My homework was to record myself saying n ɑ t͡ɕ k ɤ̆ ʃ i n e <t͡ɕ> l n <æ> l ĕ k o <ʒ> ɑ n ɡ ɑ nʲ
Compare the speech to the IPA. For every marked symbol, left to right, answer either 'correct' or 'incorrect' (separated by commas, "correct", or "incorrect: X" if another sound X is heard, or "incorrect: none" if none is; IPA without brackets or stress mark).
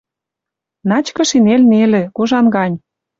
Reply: incorrect: none, incorrect: e, correct